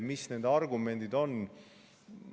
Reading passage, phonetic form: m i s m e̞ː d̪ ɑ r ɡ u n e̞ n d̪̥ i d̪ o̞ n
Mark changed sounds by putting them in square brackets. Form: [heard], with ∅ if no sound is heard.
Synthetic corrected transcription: m i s [n] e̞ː d̪ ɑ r ɡ u [m] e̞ n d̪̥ i d̪ o̞ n